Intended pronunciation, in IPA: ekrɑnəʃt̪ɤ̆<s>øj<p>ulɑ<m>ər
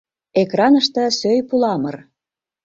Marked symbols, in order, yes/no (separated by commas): yes, yes, yes